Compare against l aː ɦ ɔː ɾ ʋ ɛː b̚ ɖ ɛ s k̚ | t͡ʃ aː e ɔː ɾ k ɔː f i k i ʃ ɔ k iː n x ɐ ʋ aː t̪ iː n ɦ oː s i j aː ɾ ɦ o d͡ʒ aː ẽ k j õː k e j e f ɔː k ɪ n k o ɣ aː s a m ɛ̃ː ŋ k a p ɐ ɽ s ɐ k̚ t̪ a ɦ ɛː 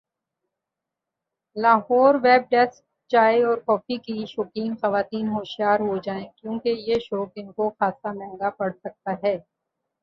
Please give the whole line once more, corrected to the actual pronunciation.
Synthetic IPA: l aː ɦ ɔː ɾ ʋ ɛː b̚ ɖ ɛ s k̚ | t͡ʃ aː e ɔː ɾ k ɔː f i k i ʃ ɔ k iː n x ɐ ʋ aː t̪ iː n ɦ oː ʃ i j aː ɾ ɦ o d͡ʒ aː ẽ k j õː k e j e ʃ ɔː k ɪ n k o x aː s a m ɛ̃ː ŋ ɡ a p ɐ ɽ s ɐ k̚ t̪ a ɦ ɛː